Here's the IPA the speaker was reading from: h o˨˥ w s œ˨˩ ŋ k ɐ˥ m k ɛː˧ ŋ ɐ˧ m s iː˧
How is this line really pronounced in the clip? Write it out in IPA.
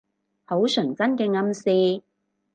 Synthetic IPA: h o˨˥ w s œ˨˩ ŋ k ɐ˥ n k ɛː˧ ŋ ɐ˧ m s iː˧